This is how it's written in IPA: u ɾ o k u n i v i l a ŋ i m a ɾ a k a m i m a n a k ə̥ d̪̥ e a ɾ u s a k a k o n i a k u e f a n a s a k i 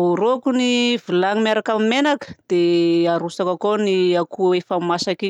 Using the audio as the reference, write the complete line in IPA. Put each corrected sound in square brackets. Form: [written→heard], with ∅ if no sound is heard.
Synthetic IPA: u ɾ o k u n i v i l a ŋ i m a ɾ a k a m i m [a→e] n a k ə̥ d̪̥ e a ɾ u s a k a k o n i a k u e f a [n→m] a s a k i